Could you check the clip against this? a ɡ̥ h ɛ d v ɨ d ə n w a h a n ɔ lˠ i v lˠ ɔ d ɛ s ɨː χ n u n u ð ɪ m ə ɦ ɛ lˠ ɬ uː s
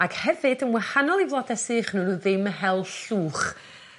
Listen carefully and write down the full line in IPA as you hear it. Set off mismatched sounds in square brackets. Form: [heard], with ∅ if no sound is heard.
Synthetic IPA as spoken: a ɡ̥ h ɛ [∅] v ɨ d ə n w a h a n ɔ lˠ i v lˠ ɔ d ɛ s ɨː χ n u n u ð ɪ m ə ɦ ɛ lˠ ɬ uː [χ]